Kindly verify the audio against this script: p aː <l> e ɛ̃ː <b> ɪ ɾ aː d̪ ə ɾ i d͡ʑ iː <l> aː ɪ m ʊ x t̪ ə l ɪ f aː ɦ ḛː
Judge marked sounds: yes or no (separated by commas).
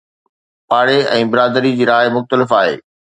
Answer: no, yes, no